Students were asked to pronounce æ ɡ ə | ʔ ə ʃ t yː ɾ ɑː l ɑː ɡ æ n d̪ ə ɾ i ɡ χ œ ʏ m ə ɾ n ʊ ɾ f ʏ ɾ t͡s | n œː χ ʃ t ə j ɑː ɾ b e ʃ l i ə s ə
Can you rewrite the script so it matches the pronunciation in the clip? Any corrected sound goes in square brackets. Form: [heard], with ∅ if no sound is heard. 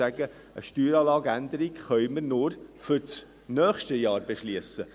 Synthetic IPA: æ ɡ ə | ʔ ə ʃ t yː ɾ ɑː l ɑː ɡ æ n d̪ ə ɾ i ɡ χ œ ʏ m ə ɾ n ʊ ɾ f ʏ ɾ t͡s | n œː χ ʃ t ə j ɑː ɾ b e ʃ l i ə s ə